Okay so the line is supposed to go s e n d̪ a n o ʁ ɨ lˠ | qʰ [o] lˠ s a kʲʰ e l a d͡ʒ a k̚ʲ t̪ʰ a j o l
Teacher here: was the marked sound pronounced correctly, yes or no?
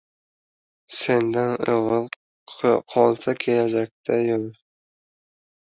no